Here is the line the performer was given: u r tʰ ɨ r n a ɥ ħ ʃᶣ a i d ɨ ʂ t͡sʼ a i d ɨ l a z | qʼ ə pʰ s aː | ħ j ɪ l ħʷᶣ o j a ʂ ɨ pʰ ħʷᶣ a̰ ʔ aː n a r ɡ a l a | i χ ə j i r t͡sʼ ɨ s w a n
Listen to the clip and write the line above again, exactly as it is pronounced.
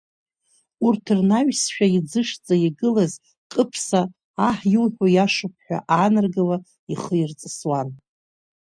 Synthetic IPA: u r tʰ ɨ r n a ɥ s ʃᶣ a i d͡z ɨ ʂ t͡sʼ a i ɡ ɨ l a z | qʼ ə pʰ s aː | ħ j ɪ l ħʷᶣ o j a ʂ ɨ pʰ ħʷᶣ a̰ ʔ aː n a r ɡ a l a | i χ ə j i r t͡sʼ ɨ s w a n